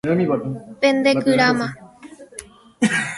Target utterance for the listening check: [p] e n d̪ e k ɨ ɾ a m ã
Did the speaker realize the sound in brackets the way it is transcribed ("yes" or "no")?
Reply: yes